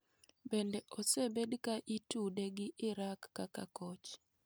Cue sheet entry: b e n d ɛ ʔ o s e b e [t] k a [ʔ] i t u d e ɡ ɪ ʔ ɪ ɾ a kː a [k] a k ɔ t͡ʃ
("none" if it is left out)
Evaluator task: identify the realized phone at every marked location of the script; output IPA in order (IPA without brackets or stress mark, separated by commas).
d, ʔ, k